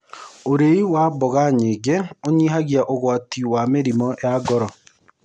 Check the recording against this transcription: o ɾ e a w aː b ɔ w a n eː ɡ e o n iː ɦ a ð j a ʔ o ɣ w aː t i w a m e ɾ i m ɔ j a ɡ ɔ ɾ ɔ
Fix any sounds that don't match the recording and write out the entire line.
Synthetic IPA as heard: o ɾ e i w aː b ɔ ɣ a ɲ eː ɡ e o ɲ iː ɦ a ɣ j a ʔ o ɣ w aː t i w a m e ɾ i m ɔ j a ɡ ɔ ɾ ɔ